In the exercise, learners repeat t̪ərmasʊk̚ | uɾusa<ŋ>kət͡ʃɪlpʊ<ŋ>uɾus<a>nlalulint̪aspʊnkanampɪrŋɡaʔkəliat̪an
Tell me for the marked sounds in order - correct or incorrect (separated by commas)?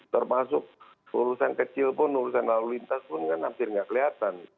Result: incorrect, incorrect, correct